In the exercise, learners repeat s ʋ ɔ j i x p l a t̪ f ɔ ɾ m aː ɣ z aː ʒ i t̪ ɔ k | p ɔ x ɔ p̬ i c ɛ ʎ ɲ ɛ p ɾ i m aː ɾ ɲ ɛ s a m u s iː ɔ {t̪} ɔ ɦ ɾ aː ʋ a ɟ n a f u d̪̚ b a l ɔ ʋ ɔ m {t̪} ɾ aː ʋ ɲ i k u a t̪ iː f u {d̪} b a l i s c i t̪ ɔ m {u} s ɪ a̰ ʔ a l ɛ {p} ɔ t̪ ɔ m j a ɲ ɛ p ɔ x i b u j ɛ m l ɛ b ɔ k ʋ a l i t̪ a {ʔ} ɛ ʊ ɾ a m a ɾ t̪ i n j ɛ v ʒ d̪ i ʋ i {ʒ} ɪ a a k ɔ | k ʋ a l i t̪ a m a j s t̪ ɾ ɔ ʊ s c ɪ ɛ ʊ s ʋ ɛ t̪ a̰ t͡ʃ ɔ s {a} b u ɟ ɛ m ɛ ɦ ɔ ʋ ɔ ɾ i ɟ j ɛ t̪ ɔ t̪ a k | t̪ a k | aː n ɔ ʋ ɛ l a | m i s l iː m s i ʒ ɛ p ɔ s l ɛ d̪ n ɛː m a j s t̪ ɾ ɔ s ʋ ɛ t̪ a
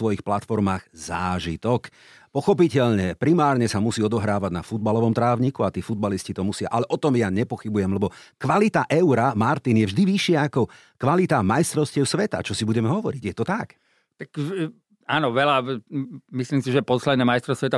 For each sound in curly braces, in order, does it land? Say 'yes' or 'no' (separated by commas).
no, yes, yes, yes, no, yes, no, no